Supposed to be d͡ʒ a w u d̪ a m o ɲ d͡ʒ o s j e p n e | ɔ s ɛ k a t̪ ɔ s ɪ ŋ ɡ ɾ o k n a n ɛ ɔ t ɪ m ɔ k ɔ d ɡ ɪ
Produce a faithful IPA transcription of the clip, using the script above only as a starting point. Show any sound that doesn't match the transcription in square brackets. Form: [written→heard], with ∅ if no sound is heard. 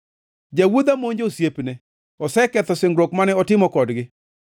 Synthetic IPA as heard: d͡ʒ a w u d̪ a m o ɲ d͡ʒ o s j e p n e | ɔ s ɛ k [a→ɛ] t̪ ɔ s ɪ ŋ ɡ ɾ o k [n→m] a n ɛ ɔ t ɪ m ɔ k ɔ d ɡ ɪ

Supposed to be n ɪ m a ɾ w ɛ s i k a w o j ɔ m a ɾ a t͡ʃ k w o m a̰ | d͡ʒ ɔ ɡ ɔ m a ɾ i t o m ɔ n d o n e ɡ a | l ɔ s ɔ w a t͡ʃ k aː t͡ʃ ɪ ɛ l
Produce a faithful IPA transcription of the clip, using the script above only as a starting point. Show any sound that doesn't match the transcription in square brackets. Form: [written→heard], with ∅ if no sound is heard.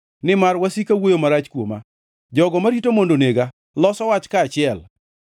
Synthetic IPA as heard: n ɪ m a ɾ w [ɛ→a] s i k a w o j [ɔ→o] m a ɾ a t͡ʃ k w o m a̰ | d͡ʒ ɔ ɡ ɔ m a ɾ i t o m [ɔ→o] n d o n e ɡ a | l ɔ s ɔ w a t͡ʃ k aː t͡ʃ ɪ ɛ l

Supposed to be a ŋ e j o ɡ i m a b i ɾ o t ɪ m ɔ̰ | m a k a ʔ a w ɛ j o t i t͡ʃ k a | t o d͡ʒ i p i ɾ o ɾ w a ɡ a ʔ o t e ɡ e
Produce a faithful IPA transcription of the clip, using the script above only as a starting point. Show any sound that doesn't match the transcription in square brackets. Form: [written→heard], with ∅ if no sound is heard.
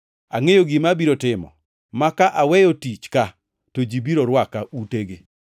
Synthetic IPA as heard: a ŋ e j o ɡ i m a b i ɾ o t ɪ m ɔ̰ | m a k a ʔ a w ɛ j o t i t͡ʃ k a | t o d͡ʒ i [p→b] i ɾ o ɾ w a [ɡ→k] a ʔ [o→u] t e ɡ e

